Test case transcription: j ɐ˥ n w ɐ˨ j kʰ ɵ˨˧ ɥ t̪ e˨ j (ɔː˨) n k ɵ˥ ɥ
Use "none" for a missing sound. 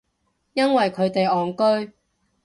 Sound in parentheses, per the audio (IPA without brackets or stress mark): ɔː˨